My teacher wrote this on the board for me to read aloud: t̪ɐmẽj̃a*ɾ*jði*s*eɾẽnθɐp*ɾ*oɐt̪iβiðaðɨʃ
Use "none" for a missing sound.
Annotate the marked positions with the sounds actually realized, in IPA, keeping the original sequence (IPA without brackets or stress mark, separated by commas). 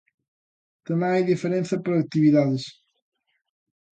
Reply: none, f, ɾ